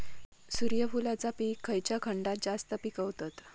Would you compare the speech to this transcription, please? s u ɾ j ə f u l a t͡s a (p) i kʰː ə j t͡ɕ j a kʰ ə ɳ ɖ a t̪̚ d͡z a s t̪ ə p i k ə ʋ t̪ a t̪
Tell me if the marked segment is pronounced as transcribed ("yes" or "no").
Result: yes